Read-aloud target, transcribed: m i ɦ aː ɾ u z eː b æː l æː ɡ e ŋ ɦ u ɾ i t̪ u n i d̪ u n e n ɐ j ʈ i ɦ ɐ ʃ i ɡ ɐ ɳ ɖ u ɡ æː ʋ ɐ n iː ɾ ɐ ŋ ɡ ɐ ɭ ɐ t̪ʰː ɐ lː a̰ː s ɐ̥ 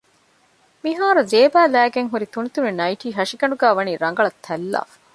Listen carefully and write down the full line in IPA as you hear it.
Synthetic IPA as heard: m i ɦ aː ɾ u z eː b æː l æː ɡ e ŋ ɦ u ɾ i t̪ u n i t̪ u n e n ɐ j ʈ iː ɦ ɐ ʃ i ɡ ɐ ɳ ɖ u ɡ æː ʋ ɐ n iː ɾ ɐ ŋ ɡ ɐ ɭ ɐ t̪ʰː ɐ lː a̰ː f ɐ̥